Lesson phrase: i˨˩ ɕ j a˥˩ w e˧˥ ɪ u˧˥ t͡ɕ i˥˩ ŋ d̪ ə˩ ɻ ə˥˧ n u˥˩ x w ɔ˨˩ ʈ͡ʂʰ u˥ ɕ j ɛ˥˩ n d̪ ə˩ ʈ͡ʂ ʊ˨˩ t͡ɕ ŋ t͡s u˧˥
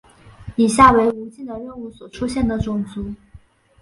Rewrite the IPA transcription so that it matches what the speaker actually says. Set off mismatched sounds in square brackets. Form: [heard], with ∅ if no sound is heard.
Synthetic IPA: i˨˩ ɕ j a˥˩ w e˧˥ ɪ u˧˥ t͡ɕ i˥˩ [n] d̪ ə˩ ɻ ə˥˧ n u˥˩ [s] w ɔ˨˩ ʈ͡ʂʰ u˥ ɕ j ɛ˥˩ n d̪ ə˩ ʈ͡ʂ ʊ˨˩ [∅] ŋ t͡s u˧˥